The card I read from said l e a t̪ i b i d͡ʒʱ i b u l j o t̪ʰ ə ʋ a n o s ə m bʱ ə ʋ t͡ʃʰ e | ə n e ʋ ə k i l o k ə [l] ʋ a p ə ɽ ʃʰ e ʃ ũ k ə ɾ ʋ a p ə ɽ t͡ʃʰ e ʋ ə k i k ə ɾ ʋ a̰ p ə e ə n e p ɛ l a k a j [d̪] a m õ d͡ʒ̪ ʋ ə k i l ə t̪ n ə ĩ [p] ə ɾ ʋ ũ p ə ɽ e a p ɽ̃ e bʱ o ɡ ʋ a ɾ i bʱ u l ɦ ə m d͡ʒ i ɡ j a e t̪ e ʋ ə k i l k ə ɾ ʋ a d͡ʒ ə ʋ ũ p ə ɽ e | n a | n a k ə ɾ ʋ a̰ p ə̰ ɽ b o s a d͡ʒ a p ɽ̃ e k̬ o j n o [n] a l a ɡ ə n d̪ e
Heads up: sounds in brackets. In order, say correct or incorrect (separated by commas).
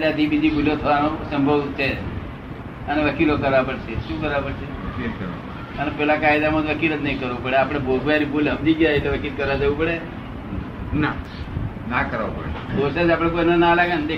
incorrect, correct, incorrect, correct